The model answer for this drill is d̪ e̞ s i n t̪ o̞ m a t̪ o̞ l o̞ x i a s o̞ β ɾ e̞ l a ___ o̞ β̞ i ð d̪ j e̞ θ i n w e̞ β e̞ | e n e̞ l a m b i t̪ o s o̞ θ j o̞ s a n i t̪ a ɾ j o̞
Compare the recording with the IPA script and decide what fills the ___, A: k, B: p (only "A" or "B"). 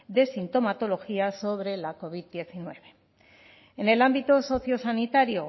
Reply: A